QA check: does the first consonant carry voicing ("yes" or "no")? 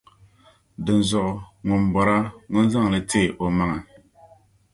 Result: yes